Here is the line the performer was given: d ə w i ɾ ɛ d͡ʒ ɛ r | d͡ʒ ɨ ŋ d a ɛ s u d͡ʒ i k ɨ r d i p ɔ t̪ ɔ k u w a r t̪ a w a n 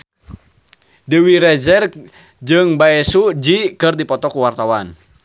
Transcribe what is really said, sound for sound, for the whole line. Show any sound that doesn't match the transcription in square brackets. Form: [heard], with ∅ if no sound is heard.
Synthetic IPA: d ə w i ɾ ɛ d͡ʒ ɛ r | d͡ʒ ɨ ŋ [b] a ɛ s u d͡ʒ i k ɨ r d i p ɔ t̪ ɔ k u w a r t̪ a w a n

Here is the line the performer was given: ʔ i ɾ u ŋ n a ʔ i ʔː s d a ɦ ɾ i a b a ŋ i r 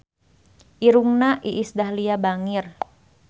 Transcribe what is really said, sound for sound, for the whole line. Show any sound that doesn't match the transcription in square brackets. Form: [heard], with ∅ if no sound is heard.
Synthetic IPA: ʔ i ɾ u ŋ n a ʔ i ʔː s d a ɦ [l] i a b a ŋ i r

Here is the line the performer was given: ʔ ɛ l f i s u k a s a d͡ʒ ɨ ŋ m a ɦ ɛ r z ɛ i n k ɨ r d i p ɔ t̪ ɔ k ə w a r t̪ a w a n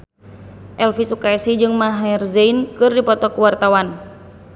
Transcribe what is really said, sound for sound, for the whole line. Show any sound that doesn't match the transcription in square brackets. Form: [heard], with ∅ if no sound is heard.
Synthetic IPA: ʔ ɛ l f i s u k a s [i] d͡ʒ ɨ ŋ m a ɦ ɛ r z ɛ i n k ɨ r d i p ɔ t̪ ɔ k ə w a r t̪ a w a n

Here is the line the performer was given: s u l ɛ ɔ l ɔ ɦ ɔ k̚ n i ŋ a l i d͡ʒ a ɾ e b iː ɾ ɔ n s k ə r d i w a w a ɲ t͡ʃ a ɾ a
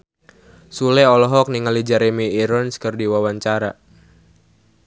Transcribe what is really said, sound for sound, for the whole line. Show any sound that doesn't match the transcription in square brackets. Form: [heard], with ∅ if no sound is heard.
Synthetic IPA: s u l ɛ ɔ l ɔ ɦ ɔ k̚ n i ŋ a l i d͡ʒ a ɾ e [m] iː ɾ ɔ n s k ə r d i w a w a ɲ t͡ʃ a ɾ a

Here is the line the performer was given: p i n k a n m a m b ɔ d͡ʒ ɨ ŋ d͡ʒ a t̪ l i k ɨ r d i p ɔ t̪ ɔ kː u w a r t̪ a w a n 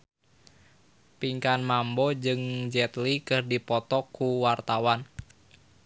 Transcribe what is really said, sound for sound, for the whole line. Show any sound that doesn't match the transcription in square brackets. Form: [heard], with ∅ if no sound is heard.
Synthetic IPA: p i [ŋ] k a n m a m b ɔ d͡ʒ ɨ ŋ d͡ʒ [ɛ] t̪ l i k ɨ r d i p ɔ t̪ ɔ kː u w a r t̪ a w a n

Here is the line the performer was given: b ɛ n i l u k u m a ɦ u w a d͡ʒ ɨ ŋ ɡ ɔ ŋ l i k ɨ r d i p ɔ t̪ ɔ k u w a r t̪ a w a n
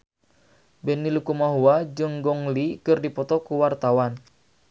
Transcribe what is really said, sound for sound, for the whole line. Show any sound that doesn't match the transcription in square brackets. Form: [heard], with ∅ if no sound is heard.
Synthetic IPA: b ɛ n i l u k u m a ɦ u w a d͡ʒ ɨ ŋ ɡ ɔ ŋ l i k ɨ r d i p ɔ t̪ ɔ k u w a r t̪ a w a n

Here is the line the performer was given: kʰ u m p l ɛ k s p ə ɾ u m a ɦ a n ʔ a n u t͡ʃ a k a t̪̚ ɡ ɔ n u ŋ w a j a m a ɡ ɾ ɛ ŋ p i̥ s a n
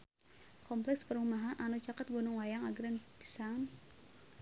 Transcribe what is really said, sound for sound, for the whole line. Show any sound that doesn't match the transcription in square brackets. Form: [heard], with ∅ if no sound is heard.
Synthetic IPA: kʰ [ɔ] m p l ɛ k s p ə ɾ u m a ɦ a n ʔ a n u t͡ʃ a k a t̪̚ ɡ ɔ n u ŋ w a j a [ŋ] a ɡ ɾ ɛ [n] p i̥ s a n

